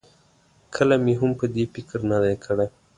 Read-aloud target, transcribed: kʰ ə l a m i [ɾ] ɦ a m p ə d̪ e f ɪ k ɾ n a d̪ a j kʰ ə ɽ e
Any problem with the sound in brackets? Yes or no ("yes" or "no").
yes